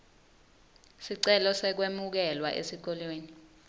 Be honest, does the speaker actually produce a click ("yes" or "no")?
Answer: yes